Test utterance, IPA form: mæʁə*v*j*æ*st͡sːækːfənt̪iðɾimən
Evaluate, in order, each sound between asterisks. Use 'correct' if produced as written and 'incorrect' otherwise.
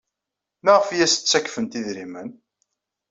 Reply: incorrect: f, correct

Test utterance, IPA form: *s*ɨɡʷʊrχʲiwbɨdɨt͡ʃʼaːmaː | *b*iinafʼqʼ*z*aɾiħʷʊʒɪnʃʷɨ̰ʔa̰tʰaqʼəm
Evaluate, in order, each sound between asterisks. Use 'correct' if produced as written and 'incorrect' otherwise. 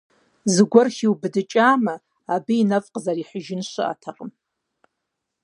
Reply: incorrect: z, correct, correct

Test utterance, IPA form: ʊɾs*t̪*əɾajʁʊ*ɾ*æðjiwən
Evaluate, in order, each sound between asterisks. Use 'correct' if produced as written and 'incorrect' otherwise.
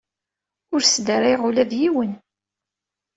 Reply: incorrect: d̪, incorrect: l

